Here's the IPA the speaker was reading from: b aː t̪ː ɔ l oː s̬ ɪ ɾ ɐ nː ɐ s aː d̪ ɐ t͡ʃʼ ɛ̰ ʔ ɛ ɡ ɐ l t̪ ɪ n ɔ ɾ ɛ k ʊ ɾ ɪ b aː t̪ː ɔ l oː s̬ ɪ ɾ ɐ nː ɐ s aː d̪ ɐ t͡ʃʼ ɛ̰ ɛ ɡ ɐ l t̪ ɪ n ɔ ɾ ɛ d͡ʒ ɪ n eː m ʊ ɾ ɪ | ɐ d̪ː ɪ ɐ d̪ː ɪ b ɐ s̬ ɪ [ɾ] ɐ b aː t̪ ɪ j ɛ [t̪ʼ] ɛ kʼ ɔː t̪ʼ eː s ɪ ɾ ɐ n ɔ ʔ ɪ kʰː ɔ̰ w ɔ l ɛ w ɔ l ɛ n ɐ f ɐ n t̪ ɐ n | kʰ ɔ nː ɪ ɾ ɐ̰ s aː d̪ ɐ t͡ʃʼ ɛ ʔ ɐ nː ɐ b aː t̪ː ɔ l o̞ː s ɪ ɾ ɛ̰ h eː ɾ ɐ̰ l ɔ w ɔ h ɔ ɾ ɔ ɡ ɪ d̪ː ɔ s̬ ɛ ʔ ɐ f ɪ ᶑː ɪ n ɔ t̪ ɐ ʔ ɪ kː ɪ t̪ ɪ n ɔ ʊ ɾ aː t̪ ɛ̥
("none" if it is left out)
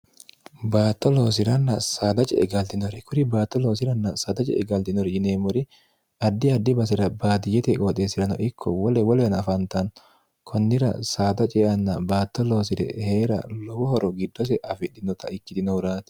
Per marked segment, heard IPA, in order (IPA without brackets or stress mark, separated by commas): ɾ, t̪